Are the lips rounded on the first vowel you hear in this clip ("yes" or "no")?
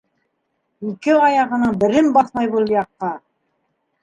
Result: no